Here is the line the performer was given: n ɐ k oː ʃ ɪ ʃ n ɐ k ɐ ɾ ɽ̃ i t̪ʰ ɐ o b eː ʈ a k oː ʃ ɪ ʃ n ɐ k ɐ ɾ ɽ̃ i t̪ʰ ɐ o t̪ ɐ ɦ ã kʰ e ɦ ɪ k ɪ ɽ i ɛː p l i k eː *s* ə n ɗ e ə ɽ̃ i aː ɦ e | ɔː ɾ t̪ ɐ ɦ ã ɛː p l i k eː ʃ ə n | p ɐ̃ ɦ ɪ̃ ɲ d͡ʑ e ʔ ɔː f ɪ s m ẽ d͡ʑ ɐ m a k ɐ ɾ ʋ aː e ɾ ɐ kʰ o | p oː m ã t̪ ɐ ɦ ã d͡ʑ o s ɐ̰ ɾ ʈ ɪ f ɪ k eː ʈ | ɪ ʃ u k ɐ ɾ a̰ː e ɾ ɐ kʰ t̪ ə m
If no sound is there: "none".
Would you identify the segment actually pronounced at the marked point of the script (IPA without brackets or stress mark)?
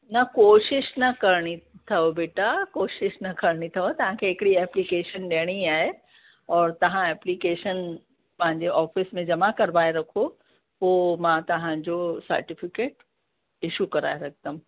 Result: ʃ